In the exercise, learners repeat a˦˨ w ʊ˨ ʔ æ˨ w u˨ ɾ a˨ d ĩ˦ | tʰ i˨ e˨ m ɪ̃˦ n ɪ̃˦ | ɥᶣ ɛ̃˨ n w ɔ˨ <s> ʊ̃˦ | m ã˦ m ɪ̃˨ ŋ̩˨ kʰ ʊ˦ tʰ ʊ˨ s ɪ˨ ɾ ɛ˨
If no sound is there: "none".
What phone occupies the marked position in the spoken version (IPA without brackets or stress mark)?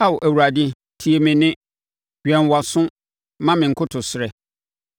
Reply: s